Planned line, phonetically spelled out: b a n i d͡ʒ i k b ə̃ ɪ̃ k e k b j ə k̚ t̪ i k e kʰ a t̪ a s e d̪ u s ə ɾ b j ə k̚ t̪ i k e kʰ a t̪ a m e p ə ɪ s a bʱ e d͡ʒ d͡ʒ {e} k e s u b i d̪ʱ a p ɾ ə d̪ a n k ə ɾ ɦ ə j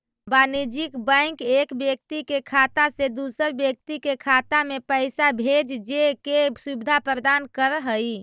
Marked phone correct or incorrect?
correct